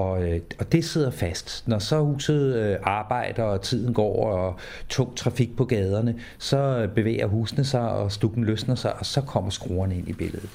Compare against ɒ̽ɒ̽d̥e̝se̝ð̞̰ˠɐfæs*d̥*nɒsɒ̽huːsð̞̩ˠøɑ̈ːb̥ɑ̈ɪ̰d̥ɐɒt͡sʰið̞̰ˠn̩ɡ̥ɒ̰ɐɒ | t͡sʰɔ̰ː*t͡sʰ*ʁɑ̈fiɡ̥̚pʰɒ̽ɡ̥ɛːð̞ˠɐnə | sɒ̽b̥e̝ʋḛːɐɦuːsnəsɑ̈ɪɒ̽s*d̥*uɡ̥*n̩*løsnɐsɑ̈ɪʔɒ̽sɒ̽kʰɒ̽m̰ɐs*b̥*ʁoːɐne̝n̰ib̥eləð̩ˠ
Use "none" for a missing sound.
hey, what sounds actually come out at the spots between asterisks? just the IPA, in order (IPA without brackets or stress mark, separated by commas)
d̥, t͡sʰ, d̥, n̩, ɡ̥